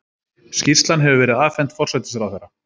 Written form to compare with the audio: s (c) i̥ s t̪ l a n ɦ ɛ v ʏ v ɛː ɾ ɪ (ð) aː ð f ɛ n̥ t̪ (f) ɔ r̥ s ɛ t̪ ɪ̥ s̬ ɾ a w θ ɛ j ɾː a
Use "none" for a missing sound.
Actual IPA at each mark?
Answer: c, ð, f

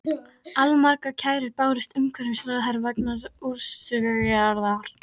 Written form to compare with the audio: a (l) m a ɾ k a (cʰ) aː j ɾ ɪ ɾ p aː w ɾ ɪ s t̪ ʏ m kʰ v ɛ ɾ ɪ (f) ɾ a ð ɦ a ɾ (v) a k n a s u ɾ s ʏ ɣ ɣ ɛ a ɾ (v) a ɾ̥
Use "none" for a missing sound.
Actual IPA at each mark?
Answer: l, cʰ, s, v, ð

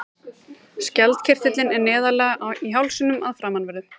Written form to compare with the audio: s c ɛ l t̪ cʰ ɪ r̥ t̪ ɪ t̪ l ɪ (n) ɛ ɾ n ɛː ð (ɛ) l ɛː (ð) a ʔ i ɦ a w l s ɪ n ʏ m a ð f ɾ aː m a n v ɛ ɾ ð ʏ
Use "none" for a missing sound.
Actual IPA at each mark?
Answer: n, a, ɣ

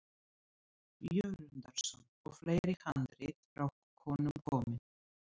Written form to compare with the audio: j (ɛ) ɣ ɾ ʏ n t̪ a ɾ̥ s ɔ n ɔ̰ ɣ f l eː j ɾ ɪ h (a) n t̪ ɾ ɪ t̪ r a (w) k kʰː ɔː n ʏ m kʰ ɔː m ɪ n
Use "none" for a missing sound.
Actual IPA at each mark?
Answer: œ, a, w

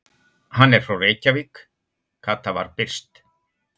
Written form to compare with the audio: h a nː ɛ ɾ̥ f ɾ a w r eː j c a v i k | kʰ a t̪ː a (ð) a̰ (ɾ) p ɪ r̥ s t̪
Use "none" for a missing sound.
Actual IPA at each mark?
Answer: v, ɾ

